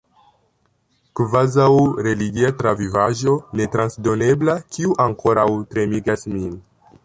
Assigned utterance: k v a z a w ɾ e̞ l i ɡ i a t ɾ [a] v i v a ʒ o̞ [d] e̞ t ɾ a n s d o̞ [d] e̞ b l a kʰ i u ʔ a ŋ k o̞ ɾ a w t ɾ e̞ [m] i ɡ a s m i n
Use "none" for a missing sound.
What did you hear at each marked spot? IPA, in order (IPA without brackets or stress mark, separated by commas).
a, n, n, m